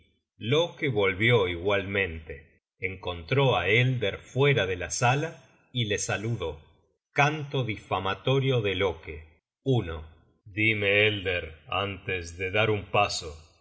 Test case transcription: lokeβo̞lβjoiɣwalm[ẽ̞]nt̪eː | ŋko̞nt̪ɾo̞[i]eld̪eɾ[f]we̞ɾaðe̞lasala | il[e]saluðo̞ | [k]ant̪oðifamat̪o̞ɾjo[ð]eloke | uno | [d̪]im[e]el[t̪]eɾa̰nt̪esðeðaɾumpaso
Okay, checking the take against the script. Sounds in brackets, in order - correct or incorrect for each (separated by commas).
correct, incorrect, correct, correct, correct, correct, correct, correct, incorrect